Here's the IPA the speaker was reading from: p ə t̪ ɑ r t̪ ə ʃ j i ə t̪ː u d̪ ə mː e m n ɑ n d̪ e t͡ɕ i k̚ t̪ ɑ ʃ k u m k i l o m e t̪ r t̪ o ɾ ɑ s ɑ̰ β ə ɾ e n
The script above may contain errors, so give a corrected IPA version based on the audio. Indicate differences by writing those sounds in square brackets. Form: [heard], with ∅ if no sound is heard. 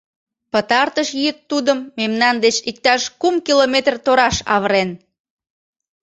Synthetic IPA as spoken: p ə t̪ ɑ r t̪ ə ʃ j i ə t̪ː u d̪ ə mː e m n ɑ n d̪ e t͡ɕ i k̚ t̪ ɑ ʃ k u m k i l o m e t̪ r t̪ o ɾ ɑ [ʃ] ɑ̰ β ə ɾ e n